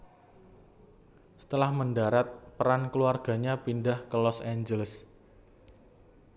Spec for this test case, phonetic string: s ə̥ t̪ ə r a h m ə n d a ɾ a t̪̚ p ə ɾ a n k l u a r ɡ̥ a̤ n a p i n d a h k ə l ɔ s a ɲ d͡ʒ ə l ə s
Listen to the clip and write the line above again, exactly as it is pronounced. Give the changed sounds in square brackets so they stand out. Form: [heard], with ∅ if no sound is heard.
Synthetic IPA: s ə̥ t̪ ə [l] a h m ə n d a ɾ a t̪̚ p ə ɾ a n k l u a r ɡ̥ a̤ [ɲ] a p i n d a h k ə l ɔ s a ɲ d͡ʒ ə l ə s